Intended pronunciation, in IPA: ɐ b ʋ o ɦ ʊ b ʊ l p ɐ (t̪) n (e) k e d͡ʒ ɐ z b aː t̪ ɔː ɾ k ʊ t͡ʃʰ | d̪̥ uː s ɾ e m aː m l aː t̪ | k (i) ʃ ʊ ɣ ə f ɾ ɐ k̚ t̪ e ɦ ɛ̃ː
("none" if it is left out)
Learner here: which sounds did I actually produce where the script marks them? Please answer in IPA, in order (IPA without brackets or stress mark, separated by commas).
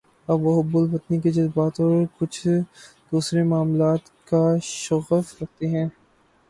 t̪, i, a